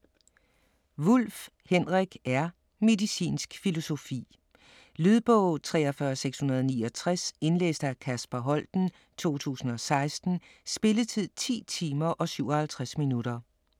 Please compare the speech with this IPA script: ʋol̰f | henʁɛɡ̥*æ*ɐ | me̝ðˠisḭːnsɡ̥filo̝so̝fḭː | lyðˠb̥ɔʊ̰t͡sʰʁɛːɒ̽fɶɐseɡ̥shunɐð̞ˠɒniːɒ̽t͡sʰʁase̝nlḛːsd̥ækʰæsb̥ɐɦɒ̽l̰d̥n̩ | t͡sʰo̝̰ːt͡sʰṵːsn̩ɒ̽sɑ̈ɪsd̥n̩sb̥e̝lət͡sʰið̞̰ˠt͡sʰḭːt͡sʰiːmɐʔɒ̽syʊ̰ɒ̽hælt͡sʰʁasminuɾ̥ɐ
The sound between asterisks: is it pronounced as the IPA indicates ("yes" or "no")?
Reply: yes